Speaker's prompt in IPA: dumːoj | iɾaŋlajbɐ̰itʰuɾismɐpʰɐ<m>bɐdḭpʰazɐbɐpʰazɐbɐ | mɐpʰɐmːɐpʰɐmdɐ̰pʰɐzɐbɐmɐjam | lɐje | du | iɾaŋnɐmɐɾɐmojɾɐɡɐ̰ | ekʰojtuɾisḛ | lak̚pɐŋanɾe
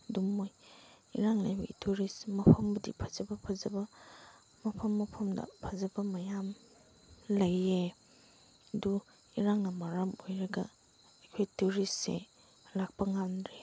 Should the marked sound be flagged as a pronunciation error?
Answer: no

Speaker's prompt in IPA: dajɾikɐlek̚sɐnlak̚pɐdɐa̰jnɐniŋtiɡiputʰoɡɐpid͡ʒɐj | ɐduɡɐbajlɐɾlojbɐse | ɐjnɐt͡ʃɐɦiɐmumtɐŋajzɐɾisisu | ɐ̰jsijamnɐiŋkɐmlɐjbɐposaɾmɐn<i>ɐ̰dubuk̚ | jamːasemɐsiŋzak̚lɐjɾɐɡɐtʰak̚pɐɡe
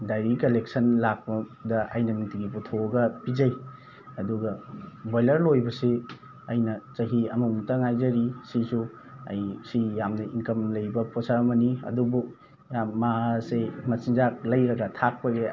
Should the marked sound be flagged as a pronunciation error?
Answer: no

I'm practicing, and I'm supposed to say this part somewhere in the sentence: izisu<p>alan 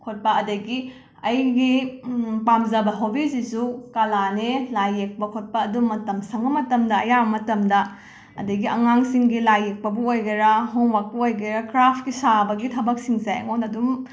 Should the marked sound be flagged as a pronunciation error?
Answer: yes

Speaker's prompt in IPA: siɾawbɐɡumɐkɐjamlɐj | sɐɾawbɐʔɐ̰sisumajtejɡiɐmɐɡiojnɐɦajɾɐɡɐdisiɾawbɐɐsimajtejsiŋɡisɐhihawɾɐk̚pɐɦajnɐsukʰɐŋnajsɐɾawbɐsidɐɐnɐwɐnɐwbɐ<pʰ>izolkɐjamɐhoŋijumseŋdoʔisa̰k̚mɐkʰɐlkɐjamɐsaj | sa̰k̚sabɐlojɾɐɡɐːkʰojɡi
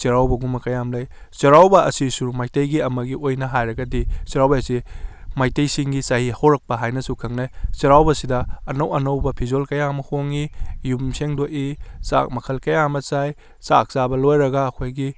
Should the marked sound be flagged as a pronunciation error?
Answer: no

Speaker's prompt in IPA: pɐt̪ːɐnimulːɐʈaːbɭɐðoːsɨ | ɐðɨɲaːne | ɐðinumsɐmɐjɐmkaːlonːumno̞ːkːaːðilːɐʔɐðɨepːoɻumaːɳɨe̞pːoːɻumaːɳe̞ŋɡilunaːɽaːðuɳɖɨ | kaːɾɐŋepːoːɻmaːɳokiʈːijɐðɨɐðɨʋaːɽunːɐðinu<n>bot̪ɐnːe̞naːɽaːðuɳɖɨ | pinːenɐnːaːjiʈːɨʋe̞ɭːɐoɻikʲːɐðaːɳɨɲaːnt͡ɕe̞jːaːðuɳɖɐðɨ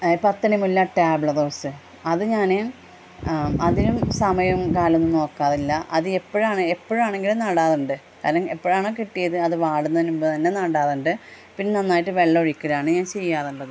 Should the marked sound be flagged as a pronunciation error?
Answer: yes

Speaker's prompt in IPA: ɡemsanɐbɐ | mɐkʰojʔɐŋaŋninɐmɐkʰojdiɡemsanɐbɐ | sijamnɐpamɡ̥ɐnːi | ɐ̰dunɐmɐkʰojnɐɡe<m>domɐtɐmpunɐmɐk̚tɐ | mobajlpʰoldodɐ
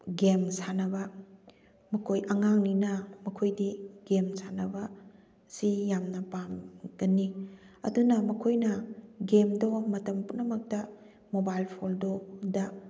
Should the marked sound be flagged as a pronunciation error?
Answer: no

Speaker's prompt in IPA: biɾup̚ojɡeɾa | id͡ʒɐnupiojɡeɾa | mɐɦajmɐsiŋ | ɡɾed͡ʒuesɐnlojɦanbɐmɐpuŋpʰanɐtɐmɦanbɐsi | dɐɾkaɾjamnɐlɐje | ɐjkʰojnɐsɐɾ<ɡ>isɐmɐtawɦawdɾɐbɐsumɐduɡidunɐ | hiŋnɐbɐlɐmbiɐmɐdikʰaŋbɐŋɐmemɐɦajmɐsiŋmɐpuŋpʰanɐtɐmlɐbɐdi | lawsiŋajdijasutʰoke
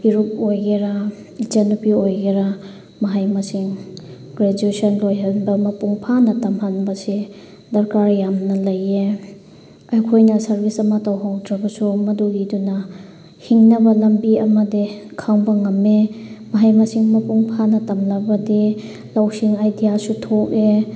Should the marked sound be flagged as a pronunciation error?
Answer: yes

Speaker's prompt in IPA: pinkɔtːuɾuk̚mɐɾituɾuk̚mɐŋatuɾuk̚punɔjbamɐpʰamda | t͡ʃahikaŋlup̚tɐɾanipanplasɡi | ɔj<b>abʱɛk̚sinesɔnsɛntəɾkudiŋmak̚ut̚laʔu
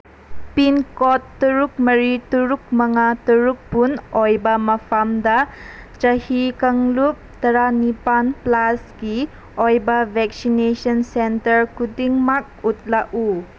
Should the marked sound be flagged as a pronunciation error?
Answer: no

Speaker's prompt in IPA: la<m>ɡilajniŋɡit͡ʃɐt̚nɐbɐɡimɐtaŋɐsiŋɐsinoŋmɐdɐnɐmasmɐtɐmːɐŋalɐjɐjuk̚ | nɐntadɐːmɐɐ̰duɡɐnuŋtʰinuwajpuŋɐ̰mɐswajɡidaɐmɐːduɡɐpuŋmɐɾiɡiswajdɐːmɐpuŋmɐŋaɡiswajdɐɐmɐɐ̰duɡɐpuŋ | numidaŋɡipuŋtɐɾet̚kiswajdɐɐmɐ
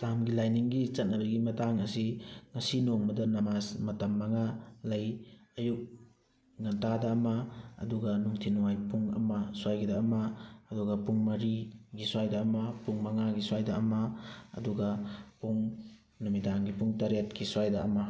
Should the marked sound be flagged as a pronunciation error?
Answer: no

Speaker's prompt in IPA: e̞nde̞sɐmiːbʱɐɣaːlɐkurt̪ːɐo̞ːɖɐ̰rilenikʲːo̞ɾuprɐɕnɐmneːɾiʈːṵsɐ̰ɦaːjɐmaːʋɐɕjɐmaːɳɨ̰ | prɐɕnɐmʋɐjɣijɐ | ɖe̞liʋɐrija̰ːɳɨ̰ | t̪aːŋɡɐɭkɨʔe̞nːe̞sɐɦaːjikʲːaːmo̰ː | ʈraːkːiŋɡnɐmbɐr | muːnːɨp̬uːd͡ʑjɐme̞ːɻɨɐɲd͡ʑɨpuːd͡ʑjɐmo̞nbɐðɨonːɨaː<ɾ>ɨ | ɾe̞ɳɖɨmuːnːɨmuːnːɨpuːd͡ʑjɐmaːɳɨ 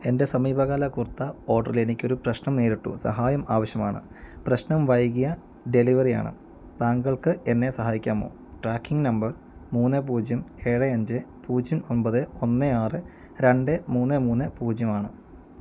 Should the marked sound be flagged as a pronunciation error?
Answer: yes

